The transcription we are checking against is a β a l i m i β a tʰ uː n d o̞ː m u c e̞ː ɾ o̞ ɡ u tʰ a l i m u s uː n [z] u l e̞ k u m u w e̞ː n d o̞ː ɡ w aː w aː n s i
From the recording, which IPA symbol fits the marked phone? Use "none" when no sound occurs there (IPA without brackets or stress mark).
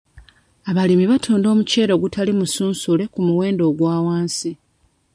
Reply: s